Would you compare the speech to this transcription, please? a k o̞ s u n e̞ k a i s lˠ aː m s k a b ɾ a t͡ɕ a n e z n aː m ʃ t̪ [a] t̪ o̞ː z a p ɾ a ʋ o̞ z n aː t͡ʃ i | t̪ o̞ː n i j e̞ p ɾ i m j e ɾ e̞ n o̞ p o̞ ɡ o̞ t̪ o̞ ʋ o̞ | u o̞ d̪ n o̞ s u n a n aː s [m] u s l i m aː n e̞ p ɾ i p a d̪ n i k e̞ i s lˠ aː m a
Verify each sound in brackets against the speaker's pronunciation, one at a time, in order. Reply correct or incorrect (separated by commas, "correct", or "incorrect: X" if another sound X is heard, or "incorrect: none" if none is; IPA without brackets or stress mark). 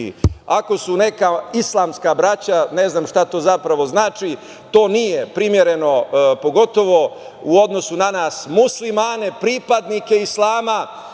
correct, correct